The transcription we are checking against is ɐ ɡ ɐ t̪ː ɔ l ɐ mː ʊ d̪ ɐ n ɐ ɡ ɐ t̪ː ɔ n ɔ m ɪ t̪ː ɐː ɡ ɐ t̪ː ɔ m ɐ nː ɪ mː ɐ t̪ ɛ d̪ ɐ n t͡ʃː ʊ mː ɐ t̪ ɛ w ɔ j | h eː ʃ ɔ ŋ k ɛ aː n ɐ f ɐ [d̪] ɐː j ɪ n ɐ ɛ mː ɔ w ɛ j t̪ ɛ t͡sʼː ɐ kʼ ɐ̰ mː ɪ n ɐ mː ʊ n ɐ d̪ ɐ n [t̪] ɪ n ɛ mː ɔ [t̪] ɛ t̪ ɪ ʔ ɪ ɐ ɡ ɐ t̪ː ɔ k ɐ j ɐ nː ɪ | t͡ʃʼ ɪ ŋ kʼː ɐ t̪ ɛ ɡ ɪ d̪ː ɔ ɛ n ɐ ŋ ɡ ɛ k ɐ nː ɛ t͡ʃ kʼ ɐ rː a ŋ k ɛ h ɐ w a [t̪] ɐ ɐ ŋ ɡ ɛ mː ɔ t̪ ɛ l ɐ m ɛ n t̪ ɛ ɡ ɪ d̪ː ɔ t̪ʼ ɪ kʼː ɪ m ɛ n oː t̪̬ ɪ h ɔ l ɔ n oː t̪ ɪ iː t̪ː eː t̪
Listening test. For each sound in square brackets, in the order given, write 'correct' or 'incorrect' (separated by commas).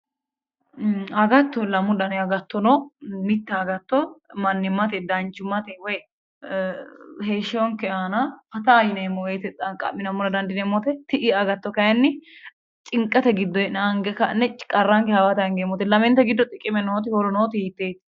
incorrect, incorrect, correct, correct